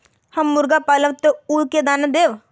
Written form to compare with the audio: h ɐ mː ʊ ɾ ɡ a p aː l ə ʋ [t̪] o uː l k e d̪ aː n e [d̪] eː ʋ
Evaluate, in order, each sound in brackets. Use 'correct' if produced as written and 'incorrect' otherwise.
correct, correct

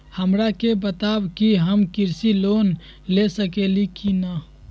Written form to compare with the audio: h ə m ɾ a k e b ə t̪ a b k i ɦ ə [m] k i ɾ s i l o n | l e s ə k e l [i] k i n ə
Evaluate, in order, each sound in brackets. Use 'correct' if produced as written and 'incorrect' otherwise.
correct, correct

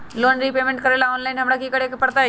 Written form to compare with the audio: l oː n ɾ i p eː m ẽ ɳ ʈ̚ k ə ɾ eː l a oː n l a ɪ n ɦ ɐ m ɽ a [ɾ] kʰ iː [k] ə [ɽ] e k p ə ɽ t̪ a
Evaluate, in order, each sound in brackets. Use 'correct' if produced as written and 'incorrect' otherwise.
incorrect, correct, correct

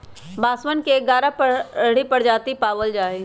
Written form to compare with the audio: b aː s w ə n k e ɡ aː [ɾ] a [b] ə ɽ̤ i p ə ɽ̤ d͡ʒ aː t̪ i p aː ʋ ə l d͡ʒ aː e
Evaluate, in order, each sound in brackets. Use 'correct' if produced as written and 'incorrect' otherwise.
correct, incorrect

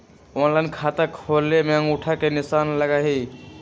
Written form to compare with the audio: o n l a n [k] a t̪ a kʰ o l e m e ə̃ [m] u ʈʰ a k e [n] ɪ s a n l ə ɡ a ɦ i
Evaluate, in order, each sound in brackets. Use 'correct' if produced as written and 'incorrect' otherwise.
incorrect, incorrect, correct

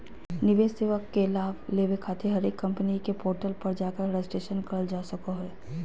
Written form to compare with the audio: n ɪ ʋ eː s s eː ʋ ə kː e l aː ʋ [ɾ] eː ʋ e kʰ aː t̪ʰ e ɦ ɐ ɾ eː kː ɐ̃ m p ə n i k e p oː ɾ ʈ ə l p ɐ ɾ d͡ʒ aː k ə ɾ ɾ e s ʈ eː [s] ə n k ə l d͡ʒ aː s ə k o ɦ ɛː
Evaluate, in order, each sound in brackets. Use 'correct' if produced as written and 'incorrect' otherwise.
incorrect, incorrect

